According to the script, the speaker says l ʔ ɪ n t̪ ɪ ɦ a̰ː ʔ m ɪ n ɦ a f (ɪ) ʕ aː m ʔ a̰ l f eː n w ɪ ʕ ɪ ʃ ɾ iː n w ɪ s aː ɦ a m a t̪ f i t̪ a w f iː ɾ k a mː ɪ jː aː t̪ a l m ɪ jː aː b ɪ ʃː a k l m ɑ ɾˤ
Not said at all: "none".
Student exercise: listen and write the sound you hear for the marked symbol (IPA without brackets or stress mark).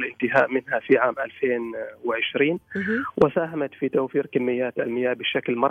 i